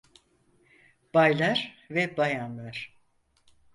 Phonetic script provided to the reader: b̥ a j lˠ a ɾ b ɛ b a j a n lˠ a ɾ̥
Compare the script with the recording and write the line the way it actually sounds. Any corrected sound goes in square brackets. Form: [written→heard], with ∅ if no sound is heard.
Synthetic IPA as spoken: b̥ a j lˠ a ɾ [b→v] ɛ b a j a n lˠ a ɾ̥